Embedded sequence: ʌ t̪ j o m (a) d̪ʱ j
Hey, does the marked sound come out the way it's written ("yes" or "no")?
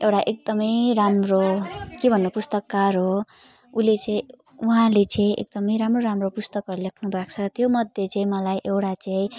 no